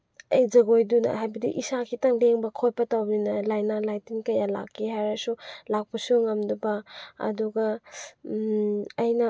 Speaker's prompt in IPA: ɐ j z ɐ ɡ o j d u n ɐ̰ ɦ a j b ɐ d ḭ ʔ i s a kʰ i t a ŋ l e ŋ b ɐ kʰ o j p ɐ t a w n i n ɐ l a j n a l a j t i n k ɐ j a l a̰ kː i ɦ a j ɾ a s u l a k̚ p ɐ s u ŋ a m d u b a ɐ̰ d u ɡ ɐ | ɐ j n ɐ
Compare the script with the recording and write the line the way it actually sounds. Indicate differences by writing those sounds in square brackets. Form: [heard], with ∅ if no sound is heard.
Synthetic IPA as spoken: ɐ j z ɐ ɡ o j d u n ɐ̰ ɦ a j b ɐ d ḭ ʔ i s a kʰ i t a ŋ l e ŋ b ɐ kʰ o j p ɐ t a w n i n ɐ l a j n a l a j t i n k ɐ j a l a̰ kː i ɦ a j ɾ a s u l a k̚ p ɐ s u ŋ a m d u b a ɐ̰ d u ɡ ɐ | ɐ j n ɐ

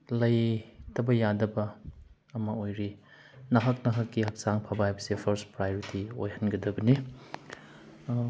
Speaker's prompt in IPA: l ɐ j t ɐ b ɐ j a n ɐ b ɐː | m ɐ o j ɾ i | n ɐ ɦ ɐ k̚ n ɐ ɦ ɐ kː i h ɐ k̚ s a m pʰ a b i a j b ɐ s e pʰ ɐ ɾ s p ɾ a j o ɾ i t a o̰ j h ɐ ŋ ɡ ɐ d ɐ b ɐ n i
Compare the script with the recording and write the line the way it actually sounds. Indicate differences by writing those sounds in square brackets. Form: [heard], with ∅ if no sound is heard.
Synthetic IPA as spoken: l ɐ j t ɐ b ɐ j a [d] ɐ b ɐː | m ɐ o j ɾ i | n ɐ ɦ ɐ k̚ n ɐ ɦ ɐ kː i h ɐ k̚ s a [ŋ] pʰ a b [a] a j b ɐ s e pʰ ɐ ɾ s p ɾ a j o ɾ i t [i] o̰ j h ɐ [n] ɡ ɐ d ɐ b ɐ n i

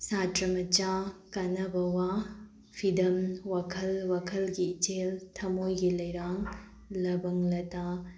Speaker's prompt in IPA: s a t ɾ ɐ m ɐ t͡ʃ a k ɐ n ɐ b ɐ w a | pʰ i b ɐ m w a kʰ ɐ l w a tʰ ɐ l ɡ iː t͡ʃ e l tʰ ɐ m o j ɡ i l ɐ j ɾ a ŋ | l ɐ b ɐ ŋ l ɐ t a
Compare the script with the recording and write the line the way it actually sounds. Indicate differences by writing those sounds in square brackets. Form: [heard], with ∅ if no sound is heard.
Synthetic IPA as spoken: s a t ɾ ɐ m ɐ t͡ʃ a k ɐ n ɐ b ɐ w a | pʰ i [d] ɐ m w a kʰ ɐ l w a [kʰ] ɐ l ɡ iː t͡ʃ e l tʰ ɐ m o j ɡ i l ɐ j ɾ a ŋ | l ɐ b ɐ ŋ l ɐ t a

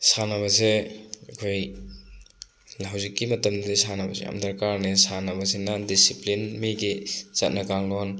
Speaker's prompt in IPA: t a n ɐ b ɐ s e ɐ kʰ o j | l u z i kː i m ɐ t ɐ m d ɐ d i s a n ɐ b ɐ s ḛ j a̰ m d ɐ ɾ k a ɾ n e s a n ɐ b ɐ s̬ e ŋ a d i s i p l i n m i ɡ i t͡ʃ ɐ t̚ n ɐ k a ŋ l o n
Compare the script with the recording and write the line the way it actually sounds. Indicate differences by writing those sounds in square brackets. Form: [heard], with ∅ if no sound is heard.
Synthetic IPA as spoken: [s] a n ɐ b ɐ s e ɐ kʰ o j | l [w] z i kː i m ɐ t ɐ m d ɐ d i s a n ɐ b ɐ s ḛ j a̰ m d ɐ ɾ k a ɾ n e s a n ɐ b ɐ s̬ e [n] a d i s i p l i n m i ɡ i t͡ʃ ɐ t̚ n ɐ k a ŋ l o n

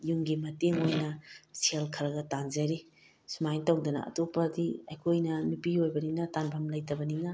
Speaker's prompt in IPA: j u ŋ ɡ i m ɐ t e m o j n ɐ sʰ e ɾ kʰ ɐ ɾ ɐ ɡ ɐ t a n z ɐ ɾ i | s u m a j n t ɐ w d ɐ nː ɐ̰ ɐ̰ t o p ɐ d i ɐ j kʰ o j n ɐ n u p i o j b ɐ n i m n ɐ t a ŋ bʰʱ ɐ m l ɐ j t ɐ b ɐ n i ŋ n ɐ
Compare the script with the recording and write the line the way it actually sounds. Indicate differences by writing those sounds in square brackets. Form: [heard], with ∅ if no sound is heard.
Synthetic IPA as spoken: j u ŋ ɡ i m ɐ t e [ŋ] o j n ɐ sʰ e [l] kʰ ɐ ɾ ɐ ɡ ɐ t a n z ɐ ɾ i | s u m a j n t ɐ w d ɐ [n] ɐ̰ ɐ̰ t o p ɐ d i ɐ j kʰ o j n ɐ n u p i o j b ɐ n i [ŋ] n ɐ t a [n] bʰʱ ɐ m l ɐ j t ɐ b ɐ n i ŋ n ɐ

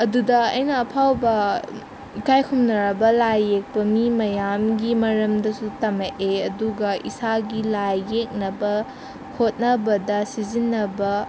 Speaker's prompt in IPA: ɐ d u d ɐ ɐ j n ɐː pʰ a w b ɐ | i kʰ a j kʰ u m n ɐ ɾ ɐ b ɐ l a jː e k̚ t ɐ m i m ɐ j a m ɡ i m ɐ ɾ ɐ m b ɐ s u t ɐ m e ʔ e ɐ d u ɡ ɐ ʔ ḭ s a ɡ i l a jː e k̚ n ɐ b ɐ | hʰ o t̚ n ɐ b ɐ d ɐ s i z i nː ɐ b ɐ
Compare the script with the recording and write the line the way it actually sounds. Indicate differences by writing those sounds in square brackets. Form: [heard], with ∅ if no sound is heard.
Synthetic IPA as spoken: ɐ d u d ɐ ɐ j n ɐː pʰ a w b ɐ | i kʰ a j kʰ u m n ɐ ɾ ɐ b ɐ l a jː e k̚ [p] ɐ m i m ɐ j a m ɡ i m ɐ ɾ ɐ m [d] ɐ s u t ɐ m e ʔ e ɐ d u ɡ ɐ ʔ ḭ s a ɡ i l a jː e k̚ n ɐ b ɐ | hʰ o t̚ n ɐ b ɐ d ɐ s i z i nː ɐ b ɐ

